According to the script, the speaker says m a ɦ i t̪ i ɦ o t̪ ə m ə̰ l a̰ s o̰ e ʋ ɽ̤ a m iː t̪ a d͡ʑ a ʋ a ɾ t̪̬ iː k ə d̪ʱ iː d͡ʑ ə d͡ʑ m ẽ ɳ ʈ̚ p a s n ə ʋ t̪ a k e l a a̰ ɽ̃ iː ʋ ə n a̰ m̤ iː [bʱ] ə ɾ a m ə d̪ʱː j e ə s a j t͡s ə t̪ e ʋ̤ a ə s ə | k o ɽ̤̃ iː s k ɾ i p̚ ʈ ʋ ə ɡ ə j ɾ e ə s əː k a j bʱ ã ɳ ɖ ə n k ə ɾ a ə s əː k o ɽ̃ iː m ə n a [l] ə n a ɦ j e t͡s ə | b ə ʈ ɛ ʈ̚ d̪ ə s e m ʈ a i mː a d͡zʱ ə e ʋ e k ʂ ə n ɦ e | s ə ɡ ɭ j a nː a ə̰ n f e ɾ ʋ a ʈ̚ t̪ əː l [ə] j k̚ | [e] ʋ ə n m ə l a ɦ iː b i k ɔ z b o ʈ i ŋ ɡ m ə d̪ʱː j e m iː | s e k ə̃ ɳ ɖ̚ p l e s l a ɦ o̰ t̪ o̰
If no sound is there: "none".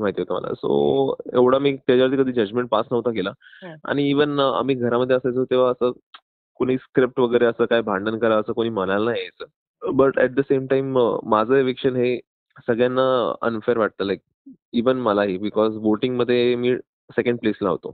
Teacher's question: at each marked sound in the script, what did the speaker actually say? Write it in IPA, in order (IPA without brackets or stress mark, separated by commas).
ɡʱ, l, a, i